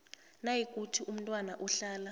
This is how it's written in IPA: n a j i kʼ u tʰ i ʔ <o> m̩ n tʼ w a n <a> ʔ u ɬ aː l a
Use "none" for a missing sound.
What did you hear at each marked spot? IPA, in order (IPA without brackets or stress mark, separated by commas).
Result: u, a